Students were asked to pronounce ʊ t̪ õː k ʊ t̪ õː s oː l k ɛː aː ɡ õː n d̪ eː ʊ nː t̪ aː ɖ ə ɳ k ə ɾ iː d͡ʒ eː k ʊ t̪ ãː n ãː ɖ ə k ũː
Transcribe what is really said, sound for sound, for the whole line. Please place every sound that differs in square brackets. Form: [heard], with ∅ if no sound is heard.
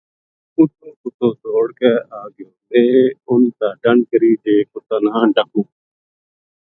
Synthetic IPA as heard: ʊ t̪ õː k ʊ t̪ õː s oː [ɽ] k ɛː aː ɡ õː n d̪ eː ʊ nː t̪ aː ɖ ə ɳ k ə ɾ iː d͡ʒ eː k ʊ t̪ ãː n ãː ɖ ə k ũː